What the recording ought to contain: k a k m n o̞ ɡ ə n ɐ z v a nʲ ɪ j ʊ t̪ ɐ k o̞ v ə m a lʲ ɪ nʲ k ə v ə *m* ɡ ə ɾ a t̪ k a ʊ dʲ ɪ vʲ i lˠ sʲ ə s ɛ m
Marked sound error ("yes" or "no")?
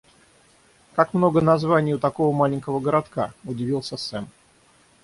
yes